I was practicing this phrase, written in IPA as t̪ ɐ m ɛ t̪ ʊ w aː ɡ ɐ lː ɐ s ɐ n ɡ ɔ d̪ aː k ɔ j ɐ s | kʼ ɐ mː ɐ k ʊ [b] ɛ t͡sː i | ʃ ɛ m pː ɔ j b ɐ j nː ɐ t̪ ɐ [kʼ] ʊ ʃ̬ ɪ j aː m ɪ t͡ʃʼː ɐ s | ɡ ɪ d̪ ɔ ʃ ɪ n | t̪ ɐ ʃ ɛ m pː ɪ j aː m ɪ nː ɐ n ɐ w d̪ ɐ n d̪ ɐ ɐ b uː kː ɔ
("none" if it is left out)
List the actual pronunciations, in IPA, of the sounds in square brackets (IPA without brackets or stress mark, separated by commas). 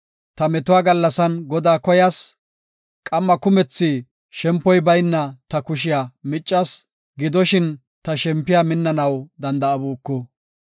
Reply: m, k